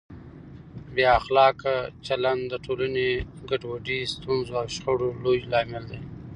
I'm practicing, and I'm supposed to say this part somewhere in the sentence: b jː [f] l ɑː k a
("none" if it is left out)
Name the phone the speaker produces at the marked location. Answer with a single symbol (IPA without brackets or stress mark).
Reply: x